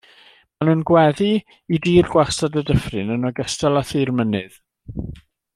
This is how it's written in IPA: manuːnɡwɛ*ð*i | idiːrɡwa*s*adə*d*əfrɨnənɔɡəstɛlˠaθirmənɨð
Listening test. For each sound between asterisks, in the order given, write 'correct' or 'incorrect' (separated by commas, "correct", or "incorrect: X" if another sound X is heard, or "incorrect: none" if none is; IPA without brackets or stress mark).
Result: correct, correct, correct